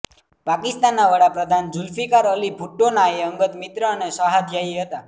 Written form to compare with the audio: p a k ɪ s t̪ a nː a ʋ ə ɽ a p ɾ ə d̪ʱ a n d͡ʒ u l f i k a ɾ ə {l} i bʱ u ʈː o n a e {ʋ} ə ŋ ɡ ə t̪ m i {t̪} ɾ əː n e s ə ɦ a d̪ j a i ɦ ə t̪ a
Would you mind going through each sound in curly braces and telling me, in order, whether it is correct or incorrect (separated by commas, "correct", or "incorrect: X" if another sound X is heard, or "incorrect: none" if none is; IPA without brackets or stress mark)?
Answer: correct, incorrect: none, correct